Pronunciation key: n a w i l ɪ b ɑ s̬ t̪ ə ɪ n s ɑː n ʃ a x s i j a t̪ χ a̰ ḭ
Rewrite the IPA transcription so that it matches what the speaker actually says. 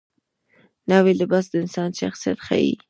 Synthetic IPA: n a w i l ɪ b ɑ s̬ d̪ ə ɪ n s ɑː n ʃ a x s i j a t̪ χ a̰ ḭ